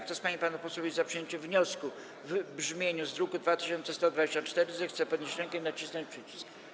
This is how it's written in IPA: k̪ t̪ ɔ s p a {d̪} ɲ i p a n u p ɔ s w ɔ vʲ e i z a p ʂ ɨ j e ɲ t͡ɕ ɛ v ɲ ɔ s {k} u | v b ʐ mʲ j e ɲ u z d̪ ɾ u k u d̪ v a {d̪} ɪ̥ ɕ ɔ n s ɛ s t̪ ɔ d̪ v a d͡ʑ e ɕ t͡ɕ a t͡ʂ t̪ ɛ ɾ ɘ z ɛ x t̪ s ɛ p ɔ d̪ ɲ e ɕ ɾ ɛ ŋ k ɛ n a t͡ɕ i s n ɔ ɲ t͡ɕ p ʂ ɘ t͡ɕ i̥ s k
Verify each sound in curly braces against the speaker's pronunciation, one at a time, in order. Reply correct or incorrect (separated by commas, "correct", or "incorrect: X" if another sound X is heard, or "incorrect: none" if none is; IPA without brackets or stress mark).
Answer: incorrect: none, correct, incorrect: t̪